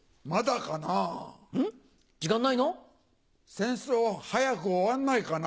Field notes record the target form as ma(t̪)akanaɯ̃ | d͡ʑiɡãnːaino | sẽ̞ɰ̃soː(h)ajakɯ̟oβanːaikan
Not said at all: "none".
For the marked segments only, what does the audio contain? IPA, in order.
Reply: d̪, h

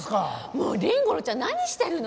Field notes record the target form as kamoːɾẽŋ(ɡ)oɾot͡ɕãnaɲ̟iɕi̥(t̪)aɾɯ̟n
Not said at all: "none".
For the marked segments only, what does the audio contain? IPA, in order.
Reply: ɡ, t̪

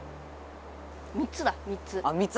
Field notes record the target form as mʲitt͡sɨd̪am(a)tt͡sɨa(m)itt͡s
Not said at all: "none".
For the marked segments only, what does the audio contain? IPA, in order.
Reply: i, m

